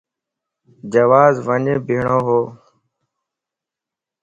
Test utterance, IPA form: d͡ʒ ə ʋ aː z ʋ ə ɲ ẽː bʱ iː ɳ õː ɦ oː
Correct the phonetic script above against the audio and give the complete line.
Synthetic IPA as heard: d͡ʒ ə ʋ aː z ʋ ə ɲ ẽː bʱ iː ɳ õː ɦ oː